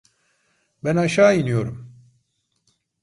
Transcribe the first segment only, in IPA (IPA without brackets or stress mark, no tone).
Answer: b